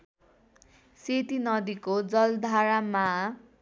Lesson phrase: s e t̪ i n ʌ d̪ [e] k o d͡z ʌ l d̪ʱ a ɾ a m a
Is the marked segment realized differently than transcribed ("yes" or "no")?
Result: yes